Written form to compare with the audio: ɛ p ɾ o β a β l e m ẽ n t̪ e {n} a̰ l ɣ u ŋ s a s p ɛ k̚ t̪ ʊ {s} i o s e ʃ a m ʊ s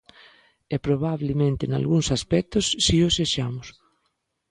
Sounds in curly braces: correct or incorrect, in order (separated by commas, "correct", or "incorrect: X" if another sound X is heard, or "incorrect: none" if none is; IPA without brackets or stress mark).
correct, incorrect: sː